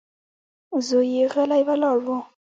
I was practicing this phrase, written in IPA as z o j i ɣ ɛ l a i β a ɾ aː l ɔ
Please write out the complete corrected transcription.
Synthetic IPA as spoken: z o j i ɣ ɛ l a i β a l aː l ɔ